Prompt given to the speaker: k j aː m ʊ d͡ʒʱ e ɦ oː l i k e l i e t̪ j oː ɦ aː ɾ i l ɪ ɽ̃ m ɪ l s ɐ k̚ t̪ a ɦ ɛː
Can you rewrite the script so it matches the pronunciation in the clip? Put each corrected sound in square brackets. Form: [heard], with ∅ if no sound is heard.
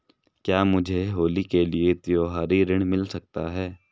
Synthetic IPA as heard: k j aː m ʊ d͡ʒʱ e ɦ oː l i k e l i e t̪ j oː ɦ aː ɾ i [ɾ] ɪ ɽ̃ m ɪ l s ɐ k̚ t̪ a ɦ ɛː